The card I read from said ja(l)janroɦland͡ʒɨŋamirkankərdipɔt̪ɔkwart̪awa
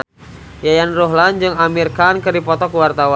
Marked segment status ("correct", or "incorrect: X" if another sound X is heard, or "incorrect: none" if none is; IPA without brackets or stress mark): incorrect: none